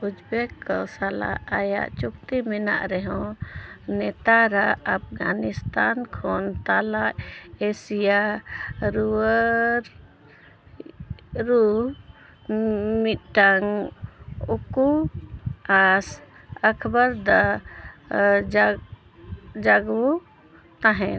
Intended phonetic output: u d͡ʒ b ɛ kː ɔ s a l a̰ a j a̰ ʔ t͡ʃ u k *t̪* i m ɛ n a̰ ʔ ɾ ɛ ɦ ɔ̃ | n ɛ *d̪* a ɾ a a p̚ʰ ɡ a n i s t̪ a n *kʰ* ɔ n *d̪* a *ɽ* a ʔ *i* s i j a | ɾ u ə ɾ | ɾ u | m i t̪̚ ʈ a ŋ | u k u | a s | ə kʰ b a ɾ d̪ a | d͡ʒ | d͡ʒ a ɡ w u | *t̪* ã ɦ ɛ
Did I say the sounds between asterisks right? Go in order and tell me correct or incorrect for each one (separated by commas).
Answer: correct, incorrect, correct, incorrect, incorrect, incorrect, correct